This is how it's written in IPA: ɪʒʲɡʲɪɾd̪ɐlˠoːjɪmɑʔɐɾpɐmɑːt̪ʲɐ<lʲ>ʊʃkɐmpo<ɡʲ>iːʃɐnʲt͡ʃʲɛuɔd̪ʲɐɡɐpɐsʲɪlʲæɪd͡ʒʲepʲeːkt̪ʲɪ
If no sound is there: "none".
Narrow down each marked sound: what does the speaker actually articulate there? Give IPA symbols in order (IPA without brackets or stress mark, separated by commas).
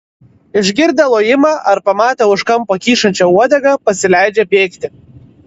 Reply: none, kʲ